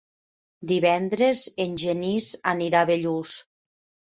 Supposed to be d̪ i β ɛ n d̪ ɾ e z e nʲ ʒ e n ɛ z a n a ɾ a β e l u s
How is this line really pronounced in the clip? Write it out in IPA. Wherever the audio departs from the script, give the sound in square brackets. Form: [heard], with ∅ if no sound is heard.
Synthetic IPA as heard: d̪ i β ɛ n d̪ ɾ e z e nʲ ʒ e n [i] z a n [i] ɾ a β e [ʎ] u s